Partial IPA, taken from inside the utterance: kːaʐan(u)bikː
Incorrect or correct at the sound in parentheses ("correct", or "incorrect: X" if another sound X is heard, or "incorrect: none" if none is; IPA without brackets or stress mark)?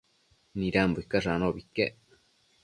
incorrect: o